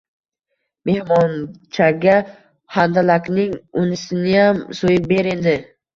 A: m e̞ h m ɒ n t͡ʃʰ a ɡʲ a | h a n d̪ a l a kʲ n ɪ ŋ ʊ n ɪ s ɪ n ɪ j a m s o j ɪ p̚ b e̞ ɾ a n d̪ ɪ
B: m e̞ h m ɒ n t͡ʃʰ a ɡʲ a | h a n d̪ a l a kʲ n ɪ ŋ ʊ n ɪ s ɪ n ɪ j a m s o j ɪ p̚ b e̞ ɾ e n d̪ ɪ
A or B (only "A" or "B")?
B